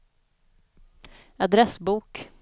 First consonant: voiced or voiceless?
voiced